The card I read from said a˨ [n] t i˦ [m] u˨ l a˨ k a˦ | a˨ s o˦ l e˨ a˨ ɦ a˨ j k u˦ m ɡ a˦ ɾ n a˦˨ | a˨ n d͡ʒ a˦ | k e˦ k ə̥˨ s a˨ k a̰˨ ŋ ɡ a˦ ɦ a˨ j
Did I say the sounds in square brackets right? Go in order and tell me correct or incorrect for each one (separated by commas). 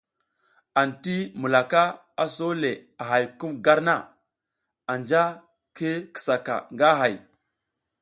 correct, correct